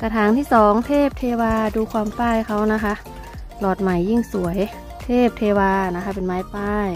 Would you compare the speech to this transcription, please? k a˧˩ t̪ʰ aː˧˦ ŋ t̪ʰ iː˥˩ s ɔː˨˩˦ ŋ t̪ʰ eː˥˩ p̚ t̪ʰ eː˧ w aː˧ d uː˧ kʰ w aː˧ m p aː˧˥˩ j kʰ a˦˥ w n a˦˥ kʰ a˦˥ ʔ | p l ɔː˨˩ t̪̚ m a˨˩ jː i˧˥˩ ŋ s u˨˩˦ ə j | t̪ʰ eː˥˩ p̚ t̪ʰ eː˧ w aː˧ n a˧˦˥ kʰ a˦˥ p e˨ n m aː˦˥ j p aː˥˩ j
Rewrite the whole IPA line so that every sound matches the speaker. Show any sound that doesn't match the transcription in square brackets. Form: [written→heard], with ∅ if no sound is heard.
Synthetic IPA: k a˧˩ t̪ʰ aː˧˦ ŋ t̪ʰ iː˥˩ s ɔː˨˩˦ ŋ t̪ʰ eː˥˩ p̚ t̪ʰ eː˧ w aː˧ d uː˧ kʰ w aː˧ m p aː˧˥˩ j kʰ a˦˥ w n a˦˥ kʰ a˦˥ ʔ | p l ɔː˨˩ t̪̚ m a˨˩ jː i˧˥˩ ŋ s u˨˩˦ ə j | t̪ʰ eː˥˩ p̚ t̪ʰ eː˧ w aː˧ n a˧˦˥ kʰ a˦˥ p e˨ n m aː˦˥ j p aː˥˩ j